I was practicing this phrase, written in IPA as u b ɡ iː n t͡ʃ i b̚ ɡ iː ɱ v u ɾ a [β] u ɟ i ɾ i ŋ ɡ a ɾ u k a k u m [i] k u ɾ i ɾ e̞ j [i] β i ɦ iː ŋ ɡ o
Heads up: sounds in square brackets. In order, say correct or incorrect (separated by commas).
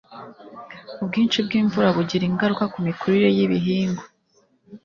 correct, correct, correct